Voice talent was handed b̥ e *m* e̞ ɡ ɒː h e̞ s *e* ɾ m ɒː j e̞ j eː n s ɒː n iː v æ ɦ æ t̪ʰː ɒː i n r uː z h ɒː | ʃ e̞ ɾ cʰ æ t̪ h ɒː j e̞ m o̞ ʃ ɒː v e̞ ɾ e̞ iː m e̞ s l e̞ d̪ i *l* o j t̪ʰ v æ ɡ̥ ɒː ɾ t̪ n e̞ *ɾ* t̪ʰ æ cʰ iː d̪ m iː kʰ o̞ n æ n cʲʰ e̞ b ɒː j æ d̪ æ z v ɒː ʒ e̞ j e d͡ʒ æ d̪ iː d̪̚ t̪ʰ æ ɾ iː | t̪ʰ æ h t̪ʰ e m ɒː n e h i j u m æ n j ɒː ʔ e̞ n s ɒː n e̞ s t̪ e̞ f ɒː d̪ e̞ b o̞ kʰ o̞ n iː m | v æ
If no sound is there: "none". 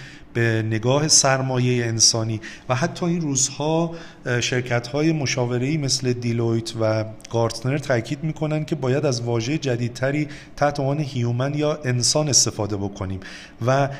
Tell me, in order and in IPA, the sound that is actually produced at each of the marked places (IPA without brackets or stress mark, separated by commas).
n, æ, l, ɾ